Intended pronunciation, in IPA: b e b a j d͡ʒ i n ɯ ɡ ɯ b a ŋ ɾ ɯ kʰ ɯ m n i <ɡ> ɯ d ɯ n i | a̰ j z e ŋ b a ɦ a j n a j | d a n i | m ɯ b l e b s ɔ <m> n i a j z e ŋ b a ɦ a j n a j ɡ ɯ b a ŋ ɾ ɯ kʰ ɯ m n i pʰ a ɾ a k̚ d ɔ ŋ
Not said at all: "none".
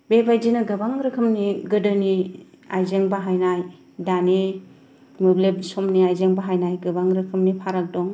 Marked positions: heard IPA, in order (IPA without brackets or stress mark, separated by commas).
ɡ, m